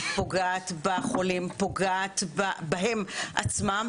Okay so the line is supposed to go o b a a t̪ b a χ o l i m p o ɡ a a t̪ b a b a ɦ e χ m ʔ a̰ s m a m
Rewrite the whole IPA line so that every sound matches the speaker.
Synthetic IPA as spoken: o ɡ a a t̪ b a χ o l i m p o ɡ a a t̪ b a b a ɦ e m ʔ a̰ t͡s m a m

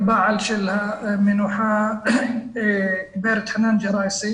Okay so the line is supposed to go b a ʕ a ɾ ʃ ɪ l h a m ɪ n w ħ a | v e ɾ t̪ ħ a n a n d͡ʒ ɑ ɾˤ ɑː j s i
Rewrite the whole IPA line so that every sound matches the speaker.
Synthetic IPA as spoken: b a ʕ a l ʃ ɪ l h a m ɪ n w ħ a | b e ɾ t̪ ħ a n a n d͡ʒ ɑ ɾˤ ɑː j s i

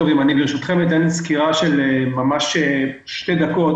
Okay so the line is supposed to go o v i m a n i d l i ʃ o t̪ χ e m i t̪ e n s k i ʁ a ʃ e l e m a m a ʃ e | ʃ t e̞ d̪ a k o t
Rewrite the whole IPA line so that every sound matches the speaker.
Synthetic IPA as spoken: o v i m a n i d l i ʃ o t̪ χ e m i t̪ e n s k i ʁ a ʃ e l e m a m a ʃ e | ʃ t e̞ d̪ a k o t

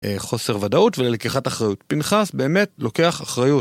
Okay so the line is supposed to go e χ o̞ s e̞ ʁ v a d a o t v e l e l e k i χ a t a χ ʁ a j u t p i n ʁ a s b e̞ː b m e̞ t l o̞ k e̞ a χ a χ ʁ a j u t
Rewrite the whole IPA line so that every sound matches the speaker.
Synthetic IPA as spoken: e χ o̞ s e̞ ʁ v a d a u t v e l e l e k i χ a t a χ ʁ a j u t p i n χ a s b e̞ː m e̞ t l o̞ k e̞ a χ a χ ʁ a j u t

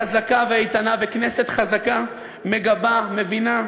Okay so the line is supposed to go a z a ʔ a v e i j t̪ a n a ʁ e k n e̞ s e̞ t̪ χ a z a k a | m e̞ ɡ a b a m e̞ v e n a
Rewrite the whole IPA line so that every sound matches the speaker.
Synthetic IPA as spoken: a z a k a v e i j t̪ a n a v e k n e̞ s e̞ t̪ χ a z a k a | m e̞ ɡ a b a m e̞ v i n a

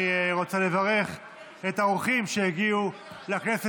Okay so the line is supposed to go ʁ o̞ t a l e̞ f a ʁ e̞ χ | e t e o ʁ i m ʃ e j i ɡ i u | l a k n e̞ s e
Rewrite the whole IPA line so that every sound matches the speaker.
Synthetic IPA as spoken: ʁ o̞ t͡s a l e̞ v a ʁ e̞ χ | e t a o χ i m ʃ e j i ɡ i u | l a k n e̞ s e

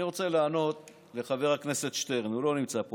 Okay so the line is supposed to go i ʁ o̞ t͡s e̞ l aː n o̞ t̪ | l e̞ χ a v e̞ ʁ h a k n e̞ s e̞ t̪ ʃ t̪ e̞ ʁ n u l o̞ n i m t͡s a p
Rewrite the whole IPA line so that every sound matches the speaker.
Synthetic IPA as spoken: i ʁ o̞ t͡s e̞ l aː n o̞ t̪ | l e̞ χ a v e̞ ʁ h a k n e̞ s e̞ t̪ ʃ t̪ e̞ ʁ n u l o̞ n i m t͡s a p

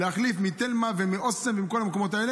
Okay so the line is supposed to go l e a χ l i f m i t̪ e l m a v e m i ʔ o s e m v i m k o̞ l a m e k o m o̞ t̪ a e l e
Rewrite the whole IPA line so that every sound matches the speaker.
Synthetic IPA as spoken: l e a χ l i f m i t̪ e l m a v e m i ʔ o s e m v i m k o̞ l a m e k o m o̞ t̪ a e l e

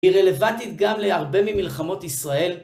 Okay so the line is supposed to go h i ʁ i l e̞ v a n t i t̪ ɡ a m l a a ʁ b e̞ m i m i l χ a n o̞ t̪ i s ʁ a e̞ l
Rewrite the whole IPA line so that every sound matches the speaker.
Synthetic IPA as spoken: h i ʁ e l e̞ v a n t i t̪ ɡ a m l e a ʁ b e̞ m i m i l χ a m o̞ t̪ i s ʁ a e̞ l

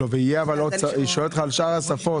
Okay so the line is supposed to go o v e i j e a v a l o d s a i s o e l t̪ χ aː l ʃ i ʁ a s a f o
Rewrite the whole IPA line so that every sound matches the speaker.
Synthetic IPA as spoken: o v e i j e a v a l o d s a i ʃ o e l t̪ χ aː l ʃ a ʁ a s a f o

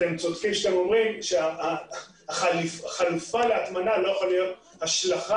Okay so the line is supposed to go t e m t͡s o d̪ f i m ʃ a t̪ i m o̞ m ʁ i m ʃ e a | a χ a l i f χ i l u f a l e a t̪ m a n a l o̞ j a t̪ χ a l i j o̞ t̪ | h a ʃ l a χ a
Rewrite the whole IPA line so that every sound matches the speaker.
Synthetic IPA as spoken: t e m t͡s o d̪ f i m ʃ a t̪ e m o̞ m ʁ i m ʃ e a | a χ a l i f χ a l u f a l e a t̪ m a n a l o̞ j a χ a l i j o̞ t̪ | h a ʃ l a χ a

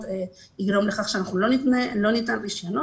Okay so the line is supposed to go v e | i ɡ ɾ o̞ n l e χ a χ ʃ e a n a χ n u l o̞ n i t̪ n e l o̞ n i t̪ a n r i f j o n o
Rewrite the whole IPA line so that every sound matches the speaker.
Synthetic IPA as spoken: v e | i ɡ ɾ o̞ m l e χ a χ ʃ e a n a χ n u l o̞ n i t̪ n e l o̞ n i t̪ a n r i ʃ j o n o

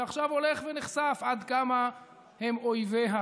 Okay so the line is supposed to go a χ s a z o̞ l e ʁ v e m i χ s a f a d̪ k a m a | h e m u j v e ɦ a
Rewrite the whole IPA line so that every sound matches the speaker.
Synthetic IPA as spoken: a χ ʃ a v o̞ l e χ v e n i χ s a f a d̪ k a m a | h e m o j v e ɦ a

